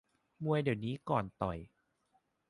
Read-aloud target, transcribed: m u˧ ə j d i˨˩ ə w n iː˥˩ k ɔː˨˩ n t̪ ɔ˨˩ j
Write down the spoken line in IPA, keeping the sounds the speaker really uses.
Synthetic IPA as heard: m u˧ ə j d i˨˩ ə w n iː˦˥ k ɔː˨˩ n t̪ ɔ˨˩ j

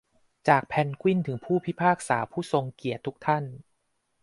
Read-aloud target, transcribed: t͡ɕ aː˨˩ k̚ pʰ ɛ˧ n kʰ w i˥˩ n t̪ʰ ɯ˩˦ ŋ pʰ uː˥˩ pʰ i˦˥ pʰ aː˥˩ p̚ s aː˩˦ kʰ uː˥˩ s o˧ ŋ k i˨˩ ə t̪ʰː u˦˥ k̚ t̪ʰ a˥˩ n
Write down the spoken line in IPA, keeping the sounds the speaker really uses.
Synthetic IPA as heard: t͡ɕ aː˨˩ k̚ pʰ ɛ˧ n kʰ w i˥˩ n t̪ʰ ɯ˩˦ ŋ pʰ uː˥˩ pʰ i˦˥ pʰ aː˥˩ k̚ s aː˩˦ pʰ uː˥˩ s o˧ ŋ k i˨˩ ə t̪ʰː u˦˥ k̚ t̪ʰ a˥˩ n

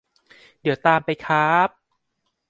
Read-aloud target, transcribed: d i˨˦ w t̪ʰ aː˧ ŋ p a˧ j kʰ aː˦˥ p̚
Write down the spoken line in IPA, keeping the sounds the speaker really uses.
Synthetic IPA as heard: d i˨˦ w t̪ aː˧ m p a˧ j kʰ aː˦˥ p̚

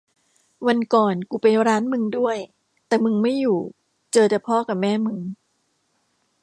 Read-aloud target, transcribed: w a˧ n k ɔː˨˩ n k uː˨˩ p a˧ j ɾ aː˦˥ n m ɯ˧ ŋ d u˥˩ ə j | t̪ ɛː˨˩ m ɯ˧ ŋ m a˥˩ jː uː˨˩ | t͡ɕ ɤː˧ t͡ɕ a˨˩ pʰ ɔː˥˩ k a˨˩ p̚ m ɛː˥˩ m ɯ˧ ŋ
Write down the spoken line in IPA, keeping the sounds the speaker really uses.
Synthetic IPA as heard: w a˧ n k ɔː˨˩ n k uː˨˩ p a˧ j ɾ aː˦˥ n m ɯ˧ ŋ d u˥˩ ə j | t̪ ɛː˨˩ m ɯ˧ ŋ m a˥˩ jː uː˨˩ | t͡ɕ ɤː˧ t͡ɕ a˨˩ pʰ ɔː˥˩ k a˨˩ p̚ m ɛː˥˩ m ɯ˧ ŋ

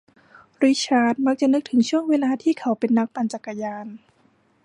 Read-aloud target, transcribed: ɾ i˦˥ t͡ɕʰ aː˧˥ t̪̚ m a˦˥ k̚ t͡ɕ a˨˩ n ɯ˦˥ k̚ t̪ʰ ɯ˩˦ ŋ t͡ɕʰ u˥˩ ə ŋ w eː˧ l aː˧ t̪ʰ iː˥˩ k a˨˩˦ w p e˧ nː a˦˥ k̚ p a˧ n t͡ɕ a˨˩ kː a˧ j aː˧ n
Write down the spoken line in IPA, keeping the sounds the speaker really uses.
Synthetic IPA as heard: ɾ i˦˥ t͡ɕʰ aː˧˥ t̪̚ m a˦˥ k̚ t͡ɕ a˨˩ n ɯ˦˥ k̚ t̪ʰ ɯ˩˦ ŋ t͡ɕʰ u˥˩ ə ŋ w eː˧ l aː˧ t̪ʰ iː˥˩ kʰ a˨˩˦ w p e˧ nː a˦˥ k̚ p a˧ n t͡ɕ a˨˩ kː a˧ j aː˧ n

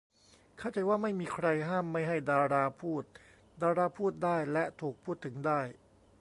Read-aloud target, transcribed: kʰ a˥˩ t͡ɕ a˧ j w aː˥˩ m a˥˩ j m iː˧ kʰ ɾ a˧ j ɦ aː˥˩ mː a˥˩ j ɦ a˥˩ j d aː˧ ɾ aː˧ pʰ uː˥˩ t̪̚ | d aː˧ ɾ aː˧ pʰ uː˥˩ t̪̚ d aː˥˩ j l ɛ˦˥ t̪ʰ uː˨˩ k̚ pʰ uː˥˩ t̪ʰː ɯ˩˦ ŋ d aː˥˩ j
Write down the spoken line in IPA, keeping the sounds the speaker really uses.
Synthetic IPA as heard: kʰ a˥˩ t͡ɕ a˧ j w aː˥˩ m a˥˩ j m iː˧ kʰ ɾ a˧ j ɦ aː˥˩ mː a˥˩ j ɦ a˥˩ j d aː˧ ɾ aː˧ pʰ uː˥˩ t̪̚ | d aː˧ ɾ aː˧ pʰ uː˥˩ t̪̚ d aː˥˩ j l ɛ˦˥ t̪ʰ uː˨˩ k̚ pʰ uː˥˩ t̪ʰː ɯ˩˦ ŋ d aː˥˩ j

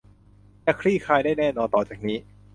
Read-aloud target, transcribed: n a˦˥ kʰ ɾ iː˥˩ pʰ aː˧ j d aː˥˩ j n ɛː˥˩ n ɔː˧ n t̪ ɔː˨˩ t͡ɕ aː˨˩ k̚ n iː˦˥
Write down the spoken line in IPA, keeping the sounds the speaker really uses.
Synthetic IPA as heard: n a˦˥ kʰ ɾ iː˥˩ kʰ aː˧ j d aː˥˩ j n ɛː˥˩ n ɔː˧ n t̪ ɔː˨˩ t͡ɕ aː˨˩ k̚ n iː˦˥

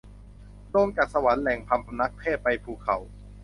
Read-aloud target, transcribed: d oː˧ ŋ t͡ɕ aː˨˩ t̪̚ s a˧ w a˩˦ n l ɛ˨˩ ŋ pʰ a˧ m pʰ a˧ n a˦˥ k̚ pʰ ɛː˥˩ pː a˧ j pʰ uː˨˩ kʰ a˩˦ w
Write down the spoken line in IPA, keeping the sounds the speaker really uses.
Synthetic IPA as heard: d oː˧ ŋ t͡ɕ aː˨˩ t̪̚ s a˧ w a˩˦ n l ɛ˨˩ ŋ pʰ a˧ m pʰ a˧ n a˦˥ k̚ pʰ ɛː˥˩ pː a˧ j pʰ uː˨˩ kʰ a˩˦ w

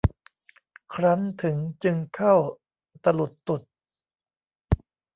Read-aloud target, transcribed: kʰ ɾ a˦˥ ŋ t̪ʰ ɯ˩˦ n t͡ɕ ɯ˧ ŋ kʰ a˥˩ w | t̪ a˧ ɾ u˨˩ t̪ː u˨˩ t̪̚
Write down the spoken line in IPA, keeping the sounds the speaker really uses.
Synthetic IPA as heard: kʰ ɾ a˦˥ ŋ t̪ʰ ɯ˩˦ ŋ t͡ɕ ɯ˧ ŋ kʰ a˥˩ w | t̪ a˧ l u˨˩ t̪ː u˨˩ t̪̚

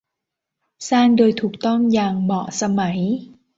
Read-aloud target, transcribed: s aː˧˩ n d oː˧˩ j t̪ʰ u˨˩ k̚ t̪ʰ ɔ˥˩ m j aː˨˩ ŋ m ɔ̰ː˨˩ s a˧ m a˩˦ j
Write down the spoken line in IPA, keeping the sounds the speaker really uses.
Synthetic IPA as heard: s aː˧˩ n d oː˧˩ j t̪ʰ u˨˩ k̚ t̪ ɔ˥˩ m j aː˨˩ ŋ m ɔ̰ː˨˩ s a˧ m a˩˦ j

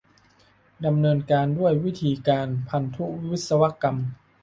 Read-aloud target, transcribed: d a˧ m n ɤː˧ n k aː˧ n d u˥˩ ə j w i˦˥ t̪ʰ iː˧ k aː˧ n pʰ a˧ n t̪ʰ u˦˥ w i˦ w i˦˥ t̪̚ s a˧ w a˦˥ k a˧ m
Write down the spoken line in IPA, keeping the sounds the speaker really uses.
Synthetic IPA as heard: d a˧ m n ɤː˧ n k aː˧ n d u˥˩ ə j w i˦˥ t̪ʰ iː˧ k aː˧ n pʰ a˧ n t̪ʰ u˦˥ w i˦ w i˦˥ t̪̚ s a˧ w a˦˥ k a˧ m

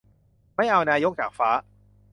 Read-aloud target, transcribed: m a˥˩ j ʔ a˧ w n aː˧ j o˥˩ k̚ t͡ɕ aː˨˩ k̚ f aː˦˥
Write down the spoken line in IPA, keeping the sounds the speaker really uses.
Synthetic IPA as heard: m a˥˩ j ʔ a˧ w n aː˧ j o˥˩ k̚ t͡ɕ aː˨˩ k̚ f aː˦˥

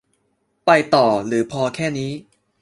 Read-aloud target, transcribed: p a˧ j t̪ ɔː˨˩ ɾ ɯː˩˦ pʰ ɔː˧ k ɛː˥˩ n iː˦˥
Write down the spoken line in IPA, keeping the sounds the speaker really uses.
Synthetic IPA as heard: p a˧ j t̪ ɔː˨˩ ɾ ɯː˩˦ pʰ ɔː˧ kʰ ɛː˥˩ n iː˦˥

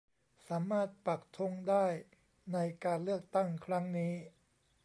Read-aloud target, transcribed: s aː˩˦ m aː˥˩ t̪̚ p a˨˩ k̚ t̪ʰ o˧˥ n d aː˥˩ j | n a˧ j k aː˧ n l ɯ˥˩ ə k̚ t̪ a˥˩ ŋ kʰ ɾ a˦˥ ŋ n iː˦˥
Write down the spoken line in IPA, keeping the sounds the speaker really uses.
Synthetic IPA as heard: s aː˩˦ m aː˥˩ t̪̚ p a˨˩ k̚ t̪ʰ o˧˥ ŋ d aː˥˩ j | n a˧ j k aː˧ n l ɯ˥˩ ə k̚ t̪ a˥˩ ŋ kʰ ɾ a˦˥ ŋ n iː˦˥

